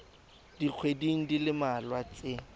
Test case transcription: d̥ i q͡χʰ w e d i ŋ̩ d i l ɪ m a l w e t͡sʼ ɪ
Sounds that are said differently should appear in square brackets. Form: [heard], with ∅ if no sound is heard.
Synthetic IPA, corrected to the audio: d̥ i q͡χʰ w e d i ŋ̩ d i l ɪ m a l w [a] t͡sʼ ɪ